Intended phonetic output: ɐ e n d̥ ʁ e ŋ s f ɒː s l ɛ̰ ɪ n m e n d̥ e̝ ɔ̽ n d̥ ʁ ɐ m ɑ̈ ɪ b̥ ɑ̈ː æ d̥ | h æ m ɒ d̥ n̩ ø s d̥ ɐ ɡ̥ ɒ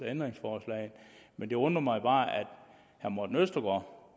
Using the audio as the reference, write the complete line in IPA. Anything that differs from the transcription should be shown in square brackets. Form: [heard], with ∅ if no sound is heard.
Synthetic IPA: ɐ e n d̥ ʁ e ŋ s f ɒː s l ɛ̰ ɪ n m e n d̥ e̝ ɔ̽ n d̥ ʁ ɐ m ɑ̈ ɪ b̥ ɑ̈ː æ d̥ | h æ m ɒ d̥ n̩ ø s d̥ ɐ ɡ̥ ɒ